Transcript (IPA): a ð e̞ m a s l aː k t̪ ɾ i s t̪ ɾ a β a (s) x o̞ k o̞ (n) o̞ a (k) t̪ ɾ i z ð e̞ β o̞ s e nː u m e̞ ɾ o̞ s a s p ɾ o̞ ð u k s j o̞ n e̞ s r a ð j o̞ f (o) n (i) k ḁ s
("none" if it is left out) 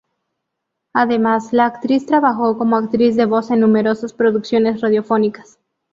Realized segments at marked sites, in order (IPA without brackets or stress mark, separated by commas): none, m, k, o, i